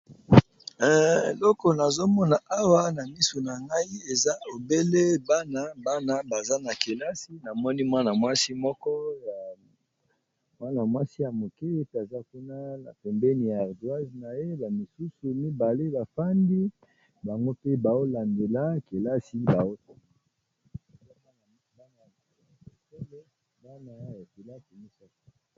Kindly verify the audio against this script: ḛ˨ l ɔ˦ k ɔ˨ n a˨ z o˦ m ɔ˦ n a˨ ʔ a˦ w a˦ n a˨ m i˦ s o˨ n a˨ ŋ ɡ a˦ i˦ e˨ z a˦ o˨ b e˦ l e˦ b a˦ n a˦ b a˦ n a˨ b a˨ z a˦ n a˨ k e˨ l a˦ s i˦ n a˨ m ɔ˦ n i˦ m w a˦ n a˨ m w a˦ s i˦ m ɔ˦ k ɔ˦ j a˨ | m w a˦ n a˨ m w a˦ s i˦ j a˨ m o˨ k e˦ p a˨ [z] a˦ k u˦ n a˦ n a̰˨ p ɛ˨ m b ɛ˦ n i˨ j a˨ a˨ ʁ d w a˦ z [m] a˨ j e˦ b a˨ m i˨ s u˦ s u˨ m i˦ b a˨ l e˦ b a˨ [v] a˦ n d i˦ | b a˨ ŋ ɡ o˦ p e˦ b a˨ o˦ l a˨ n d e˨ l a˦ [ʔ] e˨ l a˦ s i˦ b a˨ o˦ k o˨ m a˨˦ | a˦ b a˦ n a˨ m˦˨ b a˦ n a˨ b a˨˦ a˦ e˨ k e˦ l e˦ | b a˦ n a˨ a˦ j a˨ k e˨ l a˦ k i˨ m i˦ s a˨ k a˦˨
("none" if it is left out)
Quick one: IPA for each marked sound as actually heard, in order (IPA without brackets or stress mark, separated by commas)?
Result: z, n, f, k